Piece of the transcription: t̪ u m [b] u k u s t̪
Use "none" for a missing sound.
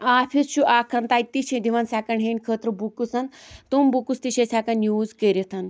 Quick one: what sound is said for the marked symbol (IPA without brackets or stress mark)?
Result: b